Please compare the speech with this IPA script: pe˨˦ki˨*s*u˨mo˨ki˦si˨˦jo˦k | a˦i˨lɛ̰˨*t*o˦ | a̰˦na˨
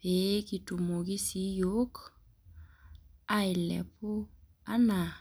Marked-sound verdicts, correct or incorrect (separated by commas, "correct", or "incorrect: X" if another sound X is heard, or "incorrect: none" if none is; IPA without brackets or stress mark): incorrect: t, incorrect: p